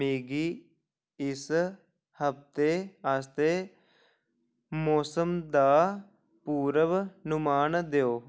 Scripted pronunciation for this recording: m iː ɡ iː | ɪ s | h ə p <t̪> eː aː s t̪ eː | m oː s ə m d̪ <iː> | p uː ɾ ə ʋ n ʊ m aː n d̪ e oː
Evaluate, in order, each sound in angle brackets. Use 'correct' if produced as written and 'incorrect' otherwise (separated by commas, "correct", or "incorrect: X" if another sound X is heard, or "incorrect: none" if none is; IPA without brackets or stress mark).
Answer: correct, incorrect: aː